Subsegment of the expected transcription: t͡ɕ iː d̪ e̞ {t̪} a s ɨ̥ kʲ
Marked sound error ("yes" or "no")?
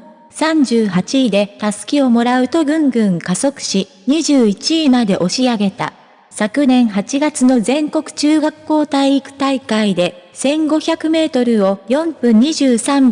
no